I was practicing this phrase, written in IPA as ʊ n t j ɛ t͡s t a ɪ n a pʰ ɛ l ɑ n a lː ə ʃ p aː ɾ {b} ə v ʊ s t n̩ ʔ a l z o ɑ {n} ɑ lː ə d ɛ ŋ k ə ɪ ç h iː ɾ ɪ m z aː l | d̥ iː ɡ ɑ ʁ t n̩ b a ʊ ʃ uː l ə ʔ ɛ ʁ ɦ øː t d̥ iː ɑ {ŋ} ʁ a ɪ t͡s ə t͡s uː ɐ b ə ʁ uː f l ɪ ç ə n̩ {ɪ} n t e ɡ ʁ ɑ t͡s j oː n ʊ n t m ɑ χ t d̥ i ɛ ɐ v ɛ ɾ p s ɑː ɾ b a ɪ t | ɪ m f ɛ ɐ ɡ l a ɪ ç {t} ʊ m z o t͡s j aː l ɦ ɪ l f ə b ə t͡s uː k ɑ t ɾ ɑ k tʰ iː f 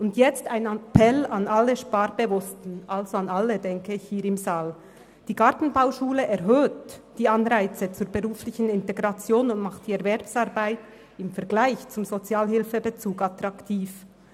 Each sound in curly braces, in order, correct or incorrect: correct, correct, incorrect: n, correct, incorrect: t͡s

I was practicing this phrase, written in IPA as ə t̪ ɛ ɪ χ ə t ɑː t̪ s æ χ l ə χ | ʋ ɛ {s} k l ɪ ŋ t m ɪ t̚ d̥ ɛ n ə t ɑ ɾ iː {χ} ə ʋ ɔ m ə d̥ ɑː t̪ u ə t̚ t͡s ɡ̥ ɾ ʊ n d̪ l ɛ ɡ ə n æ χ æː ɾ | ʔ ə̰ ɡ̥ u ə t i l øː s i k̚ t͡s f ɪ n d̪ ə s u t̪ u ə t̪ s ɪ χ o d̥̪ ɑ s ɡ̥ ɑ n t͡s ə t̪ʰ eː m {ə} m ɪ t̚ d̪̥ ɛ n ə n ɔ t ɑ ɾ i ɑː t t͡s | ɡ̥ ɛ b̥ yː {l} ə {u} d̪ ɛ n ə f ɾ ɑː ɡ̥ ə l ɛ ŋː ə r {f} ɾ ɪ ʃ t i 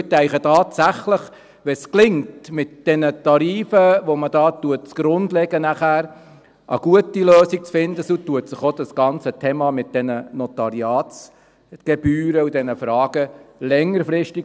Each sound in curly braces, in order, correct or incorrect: correct, incorrect: f, incorrect: ɑ, incorrect: ɾ, correct, correct

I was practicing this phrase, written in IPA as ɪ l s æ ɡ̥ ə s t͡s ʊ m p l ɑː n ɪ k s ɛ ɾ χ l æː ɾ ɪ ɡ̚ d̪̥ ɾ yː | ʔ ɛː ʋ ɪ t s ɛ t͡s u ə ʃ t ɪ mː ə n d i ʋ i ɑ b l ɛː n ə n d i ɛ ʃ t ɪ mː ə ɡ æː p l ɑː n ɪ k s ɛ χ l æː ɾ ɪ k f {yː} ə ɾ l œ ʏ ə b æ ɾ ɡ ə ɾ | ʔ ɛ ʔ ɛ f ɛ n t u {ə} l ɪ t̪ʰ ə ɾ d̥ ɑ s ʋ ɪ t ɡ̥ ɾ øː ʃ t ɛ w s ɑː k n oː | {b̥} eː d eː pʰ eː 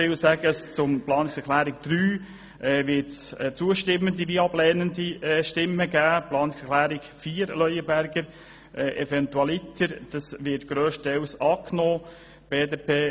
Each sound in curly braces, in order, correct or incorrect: incorrect: iː, incorrect: ɑ, correct

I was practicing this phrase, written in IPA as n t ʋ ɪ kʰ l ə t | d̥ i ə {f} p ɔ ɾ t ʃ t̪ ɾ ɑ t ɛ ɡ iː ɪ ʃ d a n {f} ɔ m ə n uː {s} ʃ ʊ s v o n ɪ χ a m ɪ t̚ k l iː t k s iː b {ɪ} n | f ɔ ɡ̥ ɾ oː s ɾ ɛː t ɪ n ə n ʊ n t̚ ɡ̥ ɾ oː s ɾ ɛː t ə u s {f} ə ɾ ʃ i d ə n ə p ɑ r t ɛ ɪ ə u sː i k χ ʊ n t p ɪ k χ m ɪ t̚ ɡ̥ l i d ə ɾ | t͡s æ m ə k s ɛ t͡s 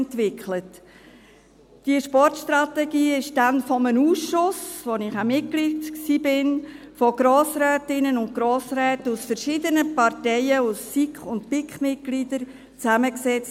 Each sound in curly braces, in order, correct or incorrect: incorrect: ʃ, correct, correct, correct, correct

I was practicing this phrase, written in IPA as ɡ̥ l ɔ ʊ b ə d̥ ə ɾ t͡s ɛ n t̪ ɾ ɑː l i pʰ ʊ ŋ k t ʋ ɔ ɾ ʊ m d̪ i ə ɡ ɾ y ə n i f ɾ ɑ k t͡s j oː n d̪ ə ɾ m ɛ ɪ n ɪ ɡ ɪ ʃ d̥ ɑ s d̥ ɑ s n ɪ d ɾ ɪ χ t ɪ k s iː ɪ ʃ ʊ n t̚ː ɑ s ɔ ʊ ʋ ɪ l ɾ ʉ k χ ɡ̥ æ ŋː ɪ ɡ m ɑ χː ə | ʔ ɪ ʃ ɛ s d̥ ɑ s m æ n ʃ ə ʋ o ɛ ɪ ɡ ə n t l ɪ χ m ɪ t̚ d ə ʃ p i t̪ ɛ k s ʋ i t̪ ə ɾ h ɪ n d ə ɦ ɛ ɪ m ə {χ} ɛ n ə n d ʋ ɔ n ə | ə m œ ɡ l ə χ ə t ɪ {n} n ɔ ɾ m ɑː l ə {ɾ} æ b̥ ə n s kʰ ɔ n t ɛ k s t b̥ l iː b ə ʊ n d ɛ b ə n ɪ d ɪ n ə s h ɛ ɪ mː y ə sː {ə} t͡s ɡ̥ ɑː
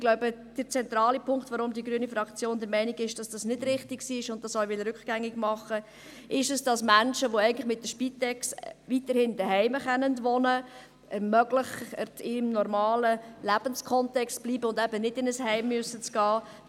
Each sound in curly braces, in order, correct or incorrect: correct, incorrect: m, incorrect: l, correct

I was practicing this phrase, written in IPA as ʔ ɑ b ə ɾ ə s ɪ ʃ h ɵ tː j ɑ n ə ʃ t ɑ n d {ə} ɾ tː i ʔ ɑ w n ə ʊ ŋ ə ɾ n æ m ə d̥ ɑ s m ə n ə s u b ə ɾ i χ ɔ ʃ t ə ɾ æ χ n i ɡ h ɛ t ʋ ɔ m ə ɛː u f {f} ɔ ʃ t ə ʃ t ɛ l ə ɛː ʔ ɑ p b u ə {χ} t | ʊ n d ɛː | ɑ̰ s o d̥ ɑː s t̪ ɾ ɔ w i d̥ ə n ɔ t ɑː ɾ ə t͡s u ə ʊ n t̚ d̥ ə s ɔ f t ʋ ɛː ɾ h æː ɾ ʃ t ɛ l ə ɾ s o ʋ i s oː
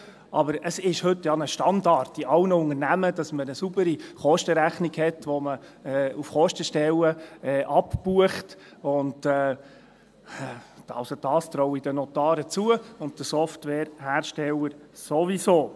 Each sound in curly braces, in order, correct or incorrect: incorrect: ɑ, incorrect: χ, correct

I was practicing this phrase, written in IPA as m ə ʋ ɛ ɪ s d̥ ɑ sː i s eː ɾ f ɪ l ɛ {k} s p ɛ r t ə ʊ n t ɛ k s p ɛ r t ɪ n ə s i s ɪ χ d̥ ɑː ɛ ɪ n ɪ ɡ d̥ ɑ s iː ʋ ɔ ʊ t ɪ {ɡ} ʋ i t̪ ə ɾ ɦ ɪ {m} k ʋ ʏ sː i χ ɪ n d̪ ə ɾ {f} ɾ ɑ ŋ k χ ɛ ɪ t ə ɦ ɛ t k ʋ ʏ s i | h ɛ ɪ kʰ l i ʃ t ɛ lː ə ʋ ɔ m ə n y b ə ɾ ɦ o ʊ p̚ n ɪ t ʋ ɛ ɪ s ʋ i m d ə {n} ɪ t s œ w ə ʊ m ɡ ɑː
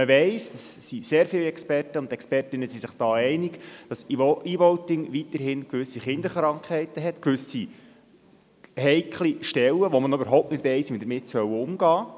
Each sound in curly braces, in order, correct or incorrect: correct, incorrect: ŋ, incorrect: n, incorrect: χ, incorrect: m

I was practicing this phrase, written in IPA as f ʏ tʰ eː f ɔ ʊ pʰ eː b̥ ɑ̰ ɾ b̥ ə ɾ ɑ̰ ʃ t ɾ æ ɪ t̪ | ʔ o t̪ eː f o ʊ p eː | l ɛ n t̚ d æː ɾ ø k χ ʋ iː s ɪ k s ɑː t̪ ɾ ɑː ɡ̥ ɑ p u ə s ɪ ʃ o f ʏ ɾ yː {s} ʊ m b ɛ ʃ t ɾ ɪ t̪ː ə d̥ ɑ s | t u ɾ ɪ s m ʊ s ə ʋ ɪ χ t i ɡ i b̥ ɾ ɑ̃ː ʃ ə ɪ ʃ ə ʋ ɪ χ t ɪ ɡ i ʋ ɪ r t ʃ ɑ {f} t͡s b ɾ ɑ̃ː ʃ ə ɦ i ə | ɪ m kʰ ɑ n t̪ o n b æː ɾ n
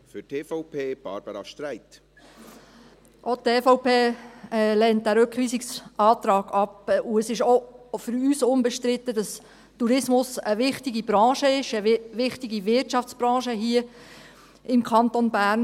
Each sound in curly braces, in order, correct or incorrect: correct, correct

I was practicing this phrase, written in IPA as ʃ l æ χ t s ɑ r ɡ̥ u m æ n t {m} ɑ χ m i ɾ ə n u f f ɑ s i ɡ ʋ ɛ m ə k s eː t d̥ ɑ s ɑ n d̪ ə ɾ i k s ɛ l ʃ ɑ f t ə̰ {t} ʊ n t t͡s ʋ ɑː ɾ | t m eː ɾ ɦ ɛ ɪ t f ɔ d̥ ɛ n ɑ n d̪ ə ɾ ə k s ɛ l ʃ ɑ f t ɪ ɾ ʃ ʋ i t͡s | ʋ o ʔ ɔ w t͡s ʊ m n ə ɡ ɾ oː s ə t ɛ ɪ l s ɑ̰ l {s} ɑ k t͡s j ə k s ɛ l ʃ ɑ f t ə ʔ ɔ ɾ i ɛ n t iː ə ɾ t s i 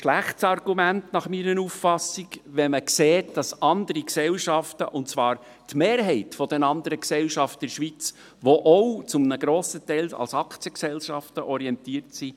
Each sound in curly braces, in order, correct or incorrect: incorrect: n, incorrect: ʔ, correct

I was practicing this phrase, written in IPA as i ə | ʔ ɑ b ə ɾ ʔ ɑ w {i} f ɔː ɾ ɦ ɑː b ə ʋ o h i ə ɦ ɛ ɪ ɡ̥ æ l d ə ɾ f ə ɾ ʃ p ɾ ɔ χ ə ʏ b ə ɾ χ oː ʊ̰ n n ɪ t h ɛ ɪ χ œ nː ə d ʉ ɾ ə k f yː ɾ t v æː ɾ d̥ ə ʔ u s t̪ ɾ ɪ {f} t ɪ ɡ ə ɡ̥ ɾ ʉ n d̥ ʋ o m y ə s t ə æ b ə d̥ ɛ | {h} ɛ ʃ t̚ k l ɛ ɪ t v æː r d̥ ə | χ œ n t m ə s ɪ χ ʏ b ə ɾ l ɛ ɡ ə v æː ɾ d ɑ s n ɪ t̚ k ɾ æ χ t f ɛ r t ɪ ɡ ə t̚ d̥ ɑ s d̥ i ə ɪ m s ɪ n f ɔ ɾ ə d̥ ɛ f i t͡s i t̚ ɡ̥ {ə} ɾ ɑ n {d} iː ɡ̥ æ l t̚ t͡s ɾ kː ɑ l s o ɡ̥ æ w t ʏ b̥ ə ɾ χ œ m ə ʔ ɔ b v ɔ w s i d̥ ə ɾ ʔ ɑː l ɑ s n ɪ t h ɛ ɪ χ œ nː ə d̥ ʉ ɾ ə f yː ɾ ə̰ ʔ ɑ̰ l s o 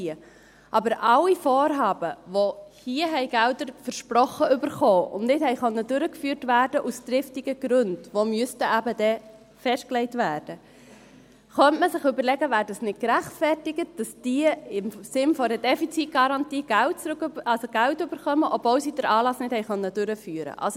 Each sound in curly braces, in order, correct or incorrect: correct, correct, incorrect: f, incorrect: ɑ, incorrect: t

